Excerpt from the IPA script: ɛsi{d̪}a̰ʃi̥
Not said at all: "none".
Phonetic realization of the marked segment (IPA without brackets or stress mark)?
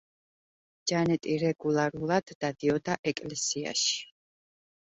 none